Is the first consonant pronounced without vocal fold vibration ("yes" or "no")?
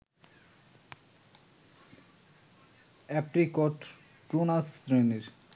yes